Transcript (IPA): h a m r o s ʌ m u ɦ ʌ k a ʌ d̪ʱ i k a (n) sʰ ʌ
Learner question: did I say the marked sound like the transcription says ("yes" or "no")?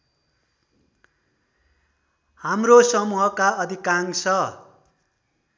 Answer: no